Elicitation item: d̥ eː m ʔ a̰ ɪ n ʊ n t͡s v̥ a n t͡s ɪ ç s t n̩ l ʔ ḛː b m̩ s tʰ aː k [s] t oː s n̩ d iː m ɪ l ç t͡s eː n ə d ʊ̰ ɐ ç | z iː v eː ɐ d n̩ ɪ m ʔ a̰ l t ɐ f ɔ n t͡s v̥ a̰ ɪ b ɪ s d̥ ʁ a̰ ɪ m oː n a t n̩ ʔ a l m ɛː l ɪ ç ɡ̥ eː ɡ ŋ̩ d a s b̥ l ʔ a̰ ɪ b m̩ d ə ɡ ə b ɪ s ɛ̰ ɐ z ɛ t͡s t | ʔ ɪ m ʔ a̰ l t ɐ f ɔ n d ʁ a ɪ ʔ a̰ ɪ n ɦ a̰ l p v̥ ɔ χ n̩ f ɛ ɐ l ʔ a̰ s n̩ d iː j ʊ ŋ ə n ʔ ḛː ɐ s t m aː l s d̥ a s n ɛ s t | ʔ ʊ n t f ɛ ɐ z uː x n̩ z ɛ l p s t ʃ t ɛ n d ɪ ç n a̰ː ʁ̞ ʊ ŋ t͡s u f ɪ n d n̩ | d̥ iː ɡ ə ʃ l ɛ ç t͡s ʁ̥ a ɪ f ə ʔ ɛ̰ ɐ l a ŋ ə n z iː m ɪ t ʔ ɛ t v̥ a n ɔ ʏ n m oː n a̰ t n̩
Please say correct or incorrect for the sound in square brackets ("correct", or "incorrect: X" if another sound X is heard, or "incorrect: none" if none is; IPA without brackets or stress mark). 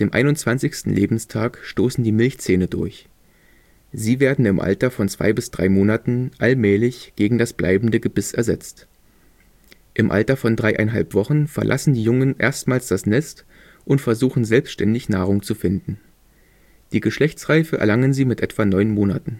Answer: incorrect: ʃ